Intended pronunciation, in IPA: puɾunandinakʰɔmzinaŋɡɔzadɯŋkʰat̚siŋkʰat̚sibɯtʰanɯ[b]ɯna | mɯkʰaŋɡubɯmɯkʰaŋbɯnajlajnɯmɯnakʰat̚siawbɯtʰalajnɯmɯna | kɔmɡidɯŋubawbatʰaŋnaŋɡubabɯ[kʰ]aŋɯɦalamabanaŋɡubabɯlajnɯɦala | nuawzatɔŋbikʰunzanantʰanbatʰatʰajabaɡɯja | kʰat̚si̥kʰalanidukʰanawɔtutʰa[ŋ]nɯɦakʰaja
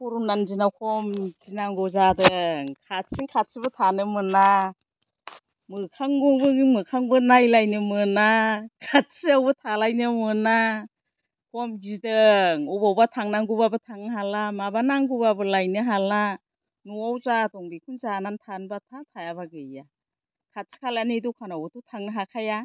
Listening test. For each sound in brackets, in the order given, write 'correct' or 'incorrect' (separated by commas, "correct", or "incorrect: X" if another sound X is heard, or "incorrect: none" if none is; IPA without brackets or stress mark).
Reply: incorrect: m, incorrect: tʰ, correct